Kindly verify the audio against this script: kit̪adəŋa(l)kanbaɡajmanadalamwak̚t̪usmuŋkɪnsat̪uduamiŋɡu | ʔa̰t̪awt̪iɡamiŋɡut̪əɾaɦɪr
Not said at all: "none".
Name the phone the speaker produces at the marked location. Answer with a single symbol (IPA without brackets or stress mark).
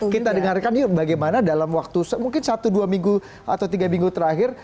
r